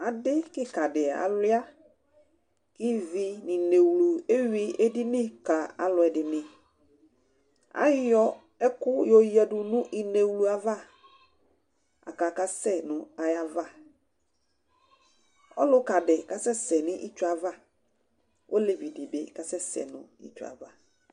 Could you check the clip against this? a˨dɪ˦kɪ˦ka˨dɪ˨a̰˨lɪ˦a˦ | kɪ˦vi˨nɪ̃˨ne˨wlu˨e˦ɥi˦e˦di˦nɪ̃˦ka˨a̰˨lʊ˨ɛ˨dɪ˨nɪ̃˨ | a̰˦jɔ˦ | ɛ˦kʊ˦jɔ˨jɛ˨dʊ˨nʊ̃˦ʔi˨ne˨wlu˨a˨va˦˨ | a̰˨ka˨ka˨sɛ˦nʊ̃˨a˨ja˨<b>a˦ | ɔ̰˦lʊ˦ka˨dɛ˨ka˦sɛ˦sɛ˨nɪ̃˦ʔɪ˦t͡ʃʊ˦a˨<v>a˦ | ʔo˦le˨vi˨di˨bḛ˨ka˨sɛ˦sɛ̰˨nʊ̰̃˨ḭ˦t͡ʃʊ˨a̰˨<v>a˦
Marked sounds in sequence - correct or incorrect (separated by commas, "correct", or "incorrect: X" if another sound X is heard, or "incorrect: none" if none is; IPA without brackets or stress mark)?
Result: incorrect: v, correct, correct